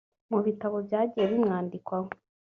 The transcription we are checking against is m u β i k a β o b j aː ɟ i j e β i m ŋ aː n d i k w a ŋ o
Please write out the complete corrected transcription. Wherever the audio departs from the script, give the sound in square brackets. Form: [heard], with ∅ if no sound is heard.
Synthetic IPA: m u β i [t] a β o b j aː ɟ i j e β i m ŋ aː n d i k w a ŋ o